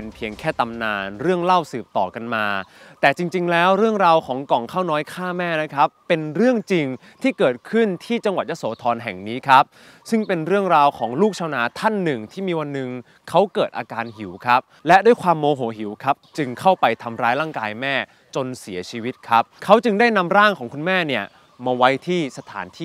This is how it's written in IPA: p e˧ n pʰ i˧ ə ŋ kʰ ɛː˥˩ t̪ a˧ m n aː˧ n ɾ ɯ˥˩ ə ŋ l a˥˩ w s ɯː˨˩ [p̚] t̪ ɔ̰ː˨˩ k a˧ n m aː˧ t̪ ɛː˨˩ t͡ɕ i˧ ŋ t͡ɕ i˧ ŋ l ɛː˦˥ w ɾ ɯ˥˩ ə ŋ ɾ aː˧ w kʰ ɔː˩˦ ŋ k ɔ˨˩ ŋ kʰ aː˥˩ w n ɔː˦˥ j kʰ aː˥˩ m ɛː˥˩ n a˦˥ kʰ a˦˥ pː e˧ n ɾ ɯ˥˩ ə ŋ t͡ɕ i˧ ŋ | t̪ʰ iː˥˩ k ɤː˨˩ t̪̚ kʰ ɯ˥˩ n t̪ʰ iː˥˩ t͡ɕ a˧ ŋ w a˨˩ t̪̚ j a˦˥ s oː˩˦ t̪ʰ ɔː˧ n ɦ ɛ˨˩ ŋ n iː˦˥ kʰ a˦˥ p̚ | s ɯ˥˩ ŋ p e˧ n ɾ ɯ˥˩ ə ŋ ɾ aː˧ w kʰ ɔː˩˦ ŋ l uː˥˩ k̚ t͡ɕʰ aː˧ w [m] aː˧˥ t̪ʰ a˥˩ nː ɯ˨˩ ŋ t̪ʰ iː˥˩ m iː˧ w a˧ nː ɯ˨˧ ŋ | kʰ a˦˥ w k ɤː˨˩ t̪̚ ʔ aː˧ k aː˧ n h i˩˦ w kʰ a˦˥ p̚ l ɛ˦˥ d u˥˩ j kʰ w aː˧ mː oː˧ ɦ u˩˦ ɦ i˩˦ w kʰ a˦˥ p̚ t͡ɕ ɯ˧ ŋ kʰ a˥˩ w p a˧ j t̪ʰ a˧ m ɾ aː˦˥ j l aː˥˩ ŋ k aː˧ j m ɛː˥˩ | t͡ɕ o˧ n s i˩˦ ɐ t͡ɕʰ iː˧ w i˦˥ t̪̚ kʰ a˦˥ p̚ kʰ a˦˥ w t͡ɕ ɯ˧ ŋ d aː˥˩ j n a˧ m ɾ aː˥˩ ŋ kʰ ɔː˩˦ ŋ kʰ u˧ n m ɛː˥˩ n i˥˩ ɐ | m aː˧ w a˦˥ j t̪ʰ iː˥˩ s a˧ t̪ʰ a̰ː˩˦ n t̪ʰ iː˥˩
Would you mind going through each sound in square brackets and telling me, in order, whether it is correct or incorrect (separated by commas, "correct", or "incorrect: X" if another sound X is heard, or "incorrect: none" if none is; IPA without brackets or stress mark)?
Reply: correct, incorrect: n